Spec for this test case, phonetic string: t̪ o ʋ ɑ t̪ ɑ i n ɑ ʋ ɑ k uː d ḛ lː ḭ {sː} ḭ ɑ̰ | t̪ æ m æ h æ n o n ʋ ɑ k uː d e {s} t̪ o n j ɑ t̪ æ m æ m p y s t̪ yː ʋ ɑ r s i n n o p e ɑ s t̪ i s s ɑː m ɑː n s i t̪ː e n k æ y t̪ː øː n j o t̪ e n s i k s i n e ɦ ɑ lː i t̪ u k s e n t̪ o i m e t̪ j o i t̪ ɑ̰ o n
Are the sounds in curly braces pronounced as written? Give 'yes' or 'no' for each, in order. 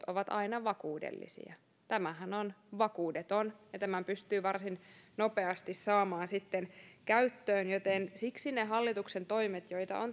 no, no

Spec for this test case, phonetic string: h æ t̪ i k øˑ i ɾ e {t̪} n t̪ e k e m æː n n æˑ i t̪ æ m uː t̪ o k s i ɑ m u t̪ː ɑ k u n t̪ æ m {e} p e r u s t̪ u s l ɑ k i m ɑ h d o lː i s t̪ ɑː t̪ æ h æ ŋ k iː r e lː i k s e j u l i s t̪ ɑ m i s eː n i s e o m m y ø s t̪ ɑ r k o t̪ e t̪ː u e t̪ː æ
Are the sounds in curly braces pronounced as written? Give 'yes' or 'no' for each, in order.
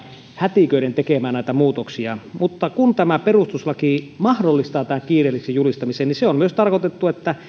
no, no

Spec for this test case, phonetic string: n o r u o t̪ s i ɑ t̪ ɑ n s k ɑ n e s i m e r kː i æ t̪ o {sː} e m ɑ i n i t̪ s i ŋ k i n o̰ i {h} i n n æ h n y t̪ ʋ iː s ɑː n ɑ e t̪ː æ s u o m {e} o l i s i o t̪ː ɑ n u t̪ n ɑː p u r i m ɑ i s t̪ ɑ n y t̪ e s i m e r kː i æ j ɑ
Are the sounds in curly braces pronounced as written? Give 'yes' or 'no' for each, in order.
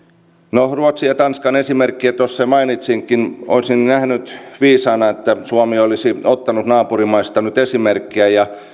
yes, no, no

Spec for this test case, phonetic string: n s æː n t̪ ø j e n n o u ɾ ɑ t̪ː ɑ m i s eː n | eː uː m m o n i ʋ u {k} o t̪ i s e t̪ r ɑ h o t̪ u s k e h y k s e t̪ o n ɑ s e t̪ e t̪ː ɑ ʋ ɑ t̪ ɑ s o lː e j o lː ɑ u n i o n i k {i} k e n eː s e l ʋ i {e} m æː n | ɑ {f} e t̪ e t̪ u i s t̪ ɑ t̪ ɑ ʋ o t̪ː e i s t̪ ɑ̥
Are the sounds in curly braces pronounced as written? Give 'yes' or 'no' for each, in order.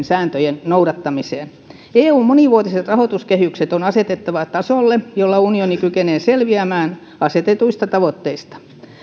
no, no, no, no

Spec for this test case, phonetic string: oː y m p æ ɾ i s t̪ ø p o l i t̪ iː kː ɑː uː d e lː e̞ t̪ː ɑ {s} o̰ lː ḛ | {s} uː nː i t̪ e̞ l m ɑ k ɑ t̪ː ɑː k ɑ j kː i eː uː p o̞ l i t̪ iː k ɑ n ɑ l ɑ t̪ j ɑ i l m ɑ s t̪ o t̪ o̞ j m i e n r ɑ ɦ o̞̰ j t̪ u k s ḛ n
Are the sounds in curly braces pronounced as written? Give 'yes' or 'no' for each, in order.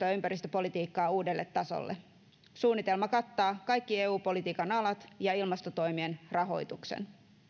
yes, yes

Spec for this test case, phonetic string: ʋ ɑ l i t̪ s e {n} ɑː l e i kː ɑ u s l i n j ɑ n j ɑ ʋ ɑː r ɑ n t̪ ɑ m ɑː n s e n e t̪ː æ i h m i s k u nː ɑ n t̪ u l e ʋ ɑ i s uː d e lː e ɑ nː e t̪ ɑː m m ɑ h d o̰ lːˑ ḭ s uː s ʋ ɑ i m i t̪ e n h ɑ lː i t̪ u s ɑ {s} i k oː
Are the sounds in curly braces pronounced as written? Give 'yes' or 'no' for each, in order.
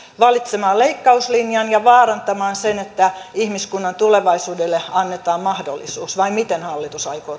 no, no

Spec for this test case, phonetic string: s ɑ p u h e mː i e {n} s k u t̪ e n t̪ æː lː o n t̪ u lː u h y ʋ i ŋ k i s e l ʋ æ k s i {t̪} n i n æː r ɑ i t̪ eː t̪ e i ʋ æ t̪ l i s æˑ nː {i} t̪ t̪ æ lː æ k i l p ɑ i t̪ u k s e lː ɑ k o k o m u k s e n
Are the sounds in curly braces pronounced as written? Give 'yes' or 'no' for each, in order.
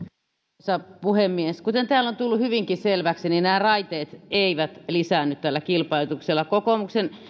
no, no, no

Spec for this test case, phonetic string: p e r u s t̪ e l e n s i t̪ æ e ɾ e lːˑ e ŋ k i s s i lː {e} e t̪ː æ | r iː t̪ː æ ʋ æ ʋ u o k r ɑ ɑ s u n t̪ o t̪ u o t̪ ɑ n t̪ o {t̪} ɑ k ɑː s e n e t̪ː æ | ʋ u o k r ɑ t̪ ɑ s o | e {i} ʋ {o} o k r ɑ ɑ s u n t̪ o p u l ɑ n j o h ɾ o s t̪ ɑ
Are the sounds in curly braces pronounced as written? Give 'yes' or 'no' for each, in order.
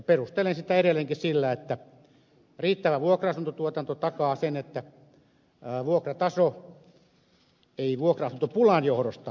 no, yes, yes, no

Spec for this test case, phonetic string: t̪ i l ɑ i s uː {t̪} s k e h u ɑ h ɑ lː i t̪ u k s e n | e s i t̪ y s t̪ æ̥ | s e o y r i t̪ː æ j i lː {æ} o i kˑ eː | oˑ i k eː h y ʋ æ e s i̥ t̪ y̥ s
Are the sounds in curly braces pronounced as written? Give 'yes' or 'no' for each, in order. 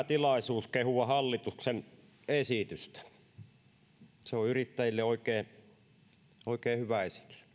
no, no

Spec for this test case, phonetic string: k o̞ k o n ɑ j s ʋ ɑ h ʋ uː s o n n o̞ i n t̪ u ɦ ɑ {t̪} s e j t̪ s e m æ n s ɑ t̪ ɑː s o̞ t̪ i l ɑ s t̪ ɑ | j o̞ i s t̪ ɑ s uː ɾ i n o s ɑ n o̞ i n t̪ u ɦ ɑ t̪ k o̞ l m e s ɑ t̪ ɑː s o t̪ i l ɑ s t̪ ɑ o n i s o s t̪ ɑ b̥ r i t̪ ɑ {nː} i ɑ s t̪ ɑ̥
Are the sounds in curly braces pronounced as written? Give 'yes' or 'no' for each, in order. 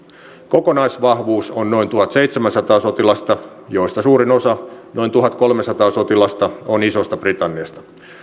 yes, yes

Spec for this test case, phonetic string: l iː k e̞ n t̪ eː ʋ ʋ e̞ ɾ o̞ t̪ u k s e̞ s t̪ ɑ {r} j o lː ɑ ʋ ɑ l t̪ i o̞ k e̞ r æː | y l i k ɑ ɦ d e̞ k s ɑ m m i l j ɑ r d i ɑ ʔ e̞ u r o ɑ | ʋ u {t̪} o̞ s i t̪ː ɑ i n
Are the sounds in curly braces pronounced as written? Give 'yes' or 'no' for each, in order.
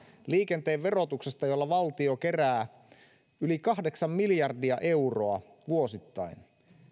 no, no

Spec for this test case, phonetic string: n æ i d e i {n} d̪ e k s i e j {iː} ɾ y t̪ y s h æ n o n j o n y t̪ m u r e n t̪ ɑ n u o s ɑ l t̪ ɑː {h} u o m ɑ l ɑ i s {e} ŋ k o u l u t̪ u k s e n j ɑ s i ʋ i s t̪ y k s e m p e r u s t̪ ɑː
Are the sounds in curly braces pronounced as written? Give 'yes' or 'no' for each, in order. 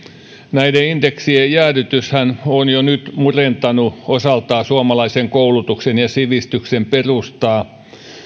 yes, no, no, yes

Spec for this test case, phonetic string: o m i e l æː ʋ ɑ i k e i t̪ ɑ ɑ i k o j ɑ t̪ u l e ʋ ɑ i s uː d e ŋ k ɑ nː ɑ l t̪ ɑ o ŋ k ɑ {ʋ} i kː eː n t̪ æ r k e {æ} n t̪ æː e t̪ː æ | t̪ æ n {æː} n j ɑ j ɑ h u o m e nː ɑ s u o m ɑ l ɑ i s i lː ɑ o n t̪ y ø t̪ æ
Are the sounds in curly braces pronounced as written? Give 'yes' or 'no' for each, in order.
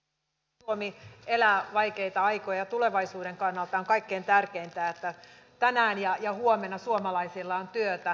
no, no, yes

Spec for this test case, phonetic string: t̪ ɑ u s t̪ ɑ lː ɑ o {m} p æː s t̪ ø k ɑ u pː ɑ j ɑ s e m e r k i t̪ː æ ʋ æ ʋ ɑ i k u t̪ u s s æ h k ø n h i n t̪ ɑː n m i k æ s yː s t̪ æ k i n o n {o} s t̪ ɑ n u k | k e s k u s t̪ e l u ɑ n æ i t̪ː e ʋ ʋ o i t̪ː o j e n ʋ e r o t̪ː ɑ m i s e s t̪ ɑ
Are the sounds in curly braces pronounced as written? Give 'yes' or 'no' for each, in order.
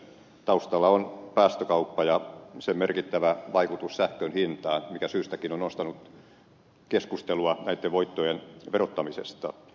no, yes

